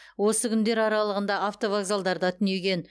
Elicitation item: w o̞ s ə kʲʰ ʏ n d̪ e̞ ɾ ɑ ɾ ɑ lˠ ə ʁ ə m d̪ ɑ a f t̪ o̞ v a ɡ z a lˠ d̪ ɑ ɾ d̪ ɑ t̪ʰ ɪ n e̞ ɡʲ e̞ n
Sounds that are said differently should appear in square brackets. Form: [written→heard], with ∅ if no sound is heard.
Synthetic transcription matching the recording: w o̞ s ə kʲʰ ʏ n d̪ e̞ ɾ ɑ ɾ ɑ lˠ ə ʁ ə [m→n] d̪ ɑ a f t̪ o̞ v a ɡ z a lˠ d̪ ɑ ɾ d̪ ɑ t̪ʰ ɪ n e̞ ɡʲ e̞ n